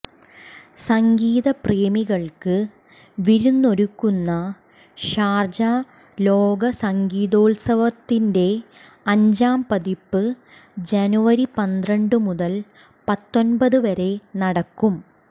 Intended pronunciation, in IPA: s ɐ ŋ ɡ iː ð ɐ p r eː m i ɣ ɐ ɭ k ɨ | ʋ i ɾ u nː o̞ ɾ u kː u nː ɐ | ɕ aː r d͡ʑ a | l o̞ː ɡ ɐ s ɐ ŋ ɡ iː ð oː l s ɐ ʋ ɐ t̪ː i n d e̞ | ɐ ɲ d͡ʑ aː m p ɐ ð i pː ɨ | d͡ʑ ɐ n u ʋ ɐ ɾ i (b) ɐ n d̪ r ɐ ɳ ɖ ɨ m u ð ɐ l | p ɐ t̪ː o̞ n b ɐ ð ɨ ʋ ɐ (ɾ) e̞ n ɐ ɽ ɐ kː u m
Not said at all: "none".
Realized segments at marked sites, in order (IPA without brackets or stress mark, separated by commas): p, ɾ